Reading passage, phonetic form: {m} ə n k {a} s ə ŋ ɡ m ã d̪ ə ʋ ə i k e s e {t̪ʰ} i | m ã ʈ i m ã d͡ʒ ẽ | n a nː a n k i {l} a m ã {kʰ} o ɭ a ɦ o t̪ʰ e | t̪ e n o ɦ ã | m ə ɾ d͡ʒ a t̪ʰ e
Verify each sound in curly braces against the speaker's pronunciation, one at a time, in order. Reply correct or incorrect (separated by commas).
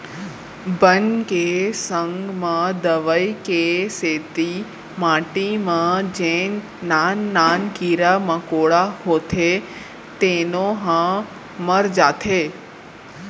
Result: incorrect, incorrect, incorrect, incorrect, incorrect